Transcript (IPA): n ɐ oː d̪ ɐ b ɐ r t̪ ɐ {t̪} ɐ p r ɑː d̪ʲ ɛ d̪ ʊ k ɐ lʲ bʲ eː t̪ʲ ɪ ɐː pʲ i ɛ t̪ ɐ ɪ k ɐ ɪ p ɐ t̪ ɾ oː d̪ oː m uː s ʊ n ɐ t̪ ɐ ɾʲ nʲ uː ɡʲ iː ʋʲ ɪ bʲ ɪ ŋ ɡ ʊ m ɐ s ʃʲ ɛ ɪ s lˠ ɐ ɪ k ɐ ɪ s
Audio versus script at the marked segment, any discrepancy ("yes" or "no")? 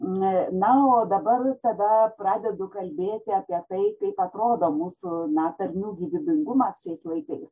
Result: yes